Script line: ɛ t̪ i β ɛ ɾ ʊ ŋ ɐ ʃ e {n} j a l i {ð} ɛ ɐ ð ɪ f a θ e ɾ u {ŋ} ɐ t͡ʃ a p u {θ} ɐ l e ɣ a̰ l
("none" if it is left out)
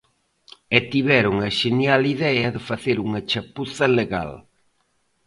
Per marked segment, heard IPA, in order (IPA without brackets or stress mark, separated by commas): n, ð, ŋ, θ